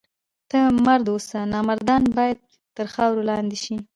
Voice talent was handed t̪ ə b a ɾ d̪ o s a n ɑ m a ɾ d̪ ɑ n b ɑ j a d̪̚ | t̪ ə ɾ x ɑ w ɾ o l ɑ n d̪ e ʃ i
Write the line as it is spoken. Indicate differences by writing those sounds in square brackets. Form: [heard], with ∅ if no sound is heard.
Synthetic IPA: t̪ ə [m] a ɾ d̪ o s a n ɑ m a ɾ d̪ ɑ n b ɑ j a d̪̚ | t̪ ə ɾ x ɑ w ɾ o l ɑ n d̪ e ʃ i